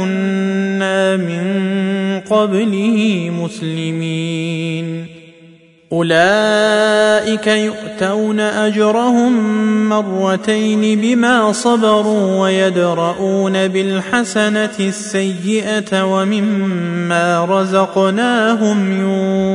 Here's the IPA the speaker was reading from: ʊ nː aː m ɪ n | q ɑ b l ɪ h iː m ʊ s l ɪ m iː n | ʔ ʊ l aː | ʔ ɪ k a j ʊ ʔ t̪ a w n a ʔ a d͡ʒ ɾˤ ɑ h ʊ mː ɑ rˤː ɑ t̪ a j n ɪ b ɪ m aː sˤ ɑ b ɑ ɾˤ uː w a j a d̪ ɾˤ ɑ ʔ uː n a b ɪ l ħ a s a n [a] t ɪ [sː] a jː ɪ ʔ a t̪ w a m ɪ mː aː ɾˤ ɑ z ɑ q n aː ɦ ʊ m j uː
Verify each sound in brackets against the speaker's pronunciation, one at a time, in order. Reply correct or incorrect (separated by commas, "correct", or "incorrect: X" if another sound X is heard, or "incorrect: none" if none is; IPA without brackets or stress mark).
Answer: correct, correct